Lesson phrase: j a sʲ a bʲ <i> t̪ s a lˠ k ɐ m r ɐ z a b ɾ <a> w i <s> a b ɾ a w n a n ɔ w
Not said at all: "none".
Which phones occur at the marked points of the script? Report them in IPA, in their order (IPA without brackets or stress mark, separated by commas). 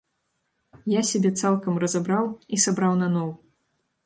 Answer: ɛ, a, s